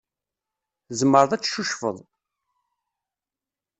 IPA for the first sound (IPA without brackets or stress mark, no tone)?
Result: z